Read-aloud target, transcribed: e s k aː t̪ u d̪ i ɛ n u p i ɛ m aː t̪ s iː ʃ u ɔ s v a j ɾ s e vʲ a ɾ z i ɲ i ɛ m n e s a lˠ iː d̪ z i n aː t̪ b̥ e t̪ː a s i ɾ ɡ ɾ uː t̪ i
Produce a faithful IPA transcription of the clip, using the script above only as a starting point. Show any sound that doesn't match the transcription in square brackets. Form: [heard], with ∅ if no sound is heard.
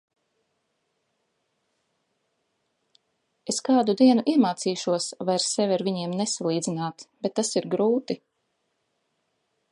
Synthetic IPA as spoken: e s k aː [d̪] u d̪ i ɛ n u [ʔ] i ɛ m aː t̪ s iː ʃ u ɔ s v a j ɾ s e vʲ a ɾ [v] i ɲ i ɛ m n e s a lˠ iː d̪ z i n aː t̪ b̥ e t̪ː a s i ɾ ɡ ɾ uː t̪ i